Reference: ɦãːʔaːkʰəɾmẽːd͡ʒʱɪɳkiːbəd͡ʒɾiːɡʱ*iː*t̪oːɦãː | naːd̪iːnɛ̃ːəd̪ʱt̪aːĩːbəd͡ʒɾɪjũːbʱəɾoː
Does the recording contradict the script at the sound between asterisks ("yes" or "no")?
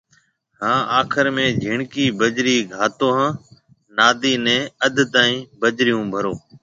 yes